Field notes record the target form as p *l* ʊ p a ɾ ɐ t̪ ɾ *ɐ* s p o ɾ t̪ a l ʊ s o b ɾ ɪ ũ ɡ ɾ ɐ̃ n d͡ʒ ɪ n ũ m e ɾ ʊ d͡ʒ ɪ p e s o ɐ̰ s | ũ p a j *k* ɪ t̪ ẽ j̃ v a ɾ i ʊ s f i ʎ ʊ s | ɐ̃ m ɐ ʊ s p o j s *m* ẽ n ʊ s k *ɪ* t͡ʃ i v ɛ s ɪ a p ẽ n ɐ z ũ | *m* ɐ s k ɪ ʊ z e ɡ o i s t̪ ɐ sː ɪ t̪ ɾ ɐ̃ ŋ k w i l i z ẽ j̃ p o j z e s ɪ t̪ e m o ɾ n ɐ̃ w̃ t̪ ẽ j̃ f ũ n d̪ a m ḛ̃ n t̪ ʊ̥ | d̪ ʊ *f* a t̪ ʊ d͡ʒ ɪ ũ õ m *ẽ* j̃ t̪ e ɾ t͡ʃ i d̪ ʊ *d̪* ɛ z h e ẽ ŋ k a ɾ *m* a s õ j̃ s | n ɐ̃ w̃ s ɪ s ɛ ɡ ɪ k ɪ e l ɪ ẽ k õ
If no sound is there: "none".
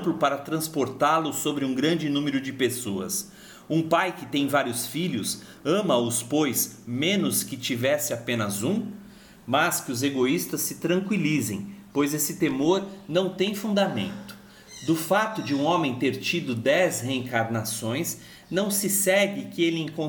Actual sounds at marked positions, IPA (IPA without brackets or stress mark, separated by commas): l, ɐ̃, k, m, ɪ, m, f, ẽ, d̪, n